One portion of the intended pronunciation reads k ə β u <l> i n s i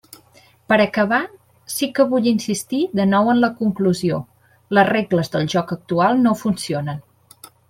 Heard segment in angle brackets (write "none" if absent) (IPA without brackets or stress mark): ʎ